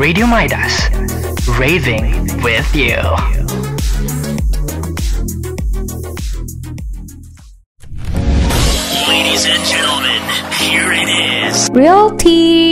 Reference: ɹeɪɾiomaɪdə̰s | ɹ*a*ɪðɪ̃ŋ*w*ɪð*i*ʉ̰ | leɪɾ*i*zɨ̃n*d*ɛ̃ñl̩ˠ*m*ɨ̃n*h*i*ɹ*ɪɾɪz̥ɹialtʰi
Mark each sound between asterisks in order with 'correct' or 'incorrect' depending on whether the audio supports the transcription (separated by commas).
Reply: incorrect, correct, incorrect, correct, incorrect, correct, correct, correct